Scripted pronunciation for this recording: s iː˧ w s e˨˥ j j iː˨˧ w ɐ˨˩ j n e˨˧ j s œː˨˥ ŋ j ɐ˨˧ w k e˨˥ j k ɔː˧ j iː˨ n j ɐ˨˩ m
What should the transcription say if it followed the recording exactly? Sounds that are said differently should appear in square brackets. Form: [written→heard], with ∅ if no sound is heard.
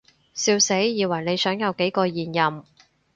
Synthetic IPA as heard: s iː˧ w s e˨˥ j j iː˨˧ w ɐ˨˩ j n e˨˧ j s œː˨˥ ŋ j ɐ˨˧ w k e˨˥ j k ɔː˧ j iː˨ n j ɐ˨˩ m